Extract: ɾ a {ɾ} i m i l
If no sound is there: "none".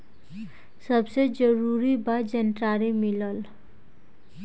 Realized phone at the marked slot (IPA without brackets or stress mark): ɾ